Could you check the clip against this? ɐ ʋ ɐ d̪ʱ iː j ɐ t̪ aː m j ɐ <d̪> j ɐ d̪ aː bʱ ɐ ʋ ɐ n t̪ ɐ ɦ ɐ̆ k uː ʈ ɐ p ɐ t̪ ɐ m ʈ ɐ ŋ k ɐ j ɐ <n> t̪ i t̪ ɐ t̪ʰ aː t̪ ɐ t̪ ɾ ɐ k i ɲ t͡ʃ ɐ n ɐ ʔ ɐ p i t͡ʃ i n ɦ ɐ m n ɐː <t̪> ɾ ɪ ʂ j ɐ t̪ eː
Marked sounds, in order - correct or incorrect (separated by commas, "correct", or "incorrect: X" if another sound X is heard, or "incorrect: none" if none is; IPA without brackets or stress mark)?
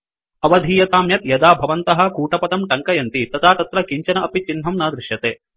incorrect: t̪, correct, incorrect: d̪